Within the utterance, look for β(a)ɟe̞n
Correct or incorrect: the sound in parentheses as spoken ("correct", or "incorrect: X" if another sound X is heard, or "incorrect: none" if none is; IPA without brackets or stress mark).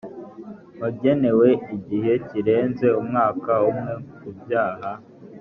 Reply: correct